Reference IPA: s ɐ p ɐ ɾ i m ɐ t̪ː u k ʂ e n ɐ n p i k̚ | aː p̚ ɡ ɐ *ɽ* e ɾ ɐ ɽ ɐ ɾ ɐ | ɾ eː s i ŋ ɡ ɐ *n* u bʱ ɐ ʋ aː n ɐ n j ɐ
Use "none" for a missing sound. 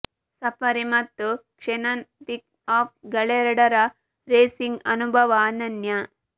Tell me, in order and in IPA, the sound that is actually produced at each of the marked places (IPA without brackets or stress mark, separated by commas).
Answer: ɭ, n